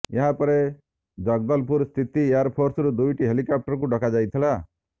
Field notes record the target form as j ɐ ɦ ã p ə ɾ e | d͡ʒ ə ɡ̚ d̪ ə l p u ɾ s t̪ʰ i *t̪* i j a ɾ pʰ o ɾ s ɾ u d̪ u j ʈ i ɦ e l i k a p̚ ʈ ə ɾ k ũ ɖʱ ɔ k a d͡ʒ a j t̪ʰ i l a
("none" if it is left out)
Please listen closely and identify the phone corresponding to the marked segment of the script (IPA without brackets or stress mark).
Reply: t̪